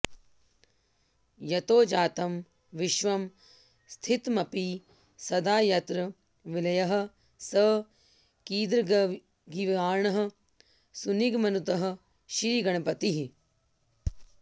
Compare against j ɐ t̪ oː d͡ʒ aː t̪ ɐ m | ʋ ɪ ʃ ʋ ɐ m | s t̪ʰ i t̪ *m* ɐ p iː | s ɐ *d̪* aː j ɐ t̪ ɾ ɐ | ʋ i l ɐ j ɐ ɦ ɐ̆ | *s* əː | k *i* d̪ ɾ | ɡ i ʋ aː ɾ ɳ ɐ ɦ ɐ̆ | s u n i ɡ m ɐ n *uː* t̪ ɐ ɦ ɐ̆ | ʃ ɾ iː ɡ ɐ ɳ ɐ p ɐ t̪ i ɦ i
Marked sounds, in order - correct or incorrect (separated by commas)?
correct, correct, correct, incorrect, incorrect